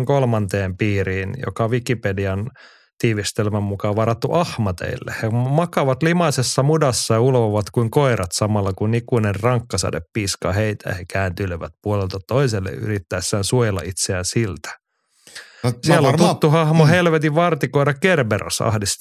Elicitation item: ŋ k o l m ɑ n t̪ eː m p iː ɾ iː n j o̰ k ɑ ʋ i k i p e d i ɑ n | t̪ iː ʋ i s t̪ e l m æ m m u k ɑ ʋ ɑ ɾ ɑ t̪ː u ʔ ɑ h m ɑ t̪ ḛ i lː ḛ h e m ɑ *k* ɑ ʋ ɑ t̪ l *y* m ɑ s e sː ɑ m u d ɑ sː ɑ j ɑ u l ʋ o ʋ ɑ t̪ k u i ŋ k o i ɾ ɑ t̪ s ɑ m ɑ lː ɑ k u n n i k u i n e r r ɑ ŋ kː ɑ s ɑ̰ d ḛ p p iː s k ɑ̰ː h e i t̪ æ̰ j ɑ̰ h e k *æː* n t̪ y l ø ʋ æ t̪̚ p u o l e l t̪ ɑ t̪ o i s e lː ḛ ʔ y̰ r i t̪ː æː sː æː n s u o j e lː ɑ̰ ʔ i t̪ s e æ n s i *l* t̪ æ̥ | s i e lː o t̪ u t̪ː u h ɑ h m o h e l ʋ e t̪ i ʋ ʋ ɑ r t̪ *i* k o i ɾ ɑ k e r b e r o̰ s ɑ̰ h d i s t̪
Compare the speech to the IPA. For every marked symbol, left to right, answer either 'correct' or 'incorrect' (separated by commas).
correct, incorrect, correct, correct, correct